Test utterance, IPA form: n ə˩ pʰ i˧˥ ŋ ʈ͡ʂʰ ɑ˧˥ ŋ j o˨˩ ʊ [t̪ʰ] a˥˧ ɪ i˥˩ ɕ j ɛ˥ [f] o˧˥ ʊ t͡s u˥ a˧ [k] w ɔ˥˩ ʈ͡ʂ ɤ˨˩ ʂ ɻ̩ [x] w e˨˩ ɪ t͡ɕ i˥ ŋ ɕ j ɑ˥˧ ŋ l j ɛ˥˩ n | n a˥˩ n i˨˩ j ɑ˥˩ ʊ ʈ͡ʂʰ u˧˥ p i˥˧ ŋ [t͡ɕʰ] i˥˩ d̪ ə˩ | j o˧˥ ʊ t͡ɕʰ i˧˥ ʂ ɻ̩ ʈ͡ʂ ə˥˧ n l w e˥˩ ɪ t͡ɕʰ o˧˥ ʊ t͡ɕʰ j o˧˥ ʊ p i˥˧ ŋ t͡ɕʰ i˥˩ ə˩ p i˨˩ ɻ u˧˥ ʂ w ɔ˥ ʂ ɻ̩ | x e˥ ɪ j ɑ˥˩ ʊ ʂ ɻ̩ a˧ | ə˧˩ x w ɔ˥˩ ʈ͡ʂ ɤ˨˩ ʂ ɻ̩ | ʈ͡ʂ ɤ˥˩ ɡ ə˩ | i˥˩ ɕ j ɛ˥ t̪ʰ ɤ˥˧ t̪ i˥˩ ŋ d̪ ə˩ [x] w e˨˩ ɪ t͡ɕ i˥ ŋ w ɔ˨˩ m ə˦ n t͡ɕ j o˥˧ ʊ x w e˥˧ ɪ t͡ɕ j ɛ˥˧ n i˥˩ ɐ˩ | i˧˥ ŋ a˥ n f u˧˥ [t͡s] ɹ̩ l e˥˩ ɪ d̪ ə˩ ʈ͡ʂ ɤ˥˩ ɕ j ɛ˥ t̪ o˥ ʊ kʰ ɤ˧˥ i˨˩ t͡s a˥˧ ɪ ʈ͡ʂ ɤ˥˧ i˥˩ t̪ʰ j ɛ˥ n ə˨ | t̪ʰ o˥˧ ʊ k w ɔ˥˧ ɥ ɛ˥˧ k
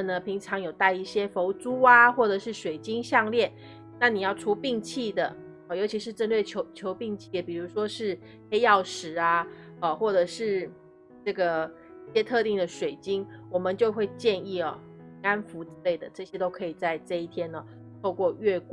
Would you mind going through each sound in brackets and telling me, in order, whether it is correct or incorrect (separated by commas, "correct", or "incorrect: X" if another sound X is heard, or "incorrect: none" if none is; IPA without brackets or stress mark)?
incorrect: t̪, correct, incorrect: x, incorrect: ʂ, correct, incorrect: ʂ, correct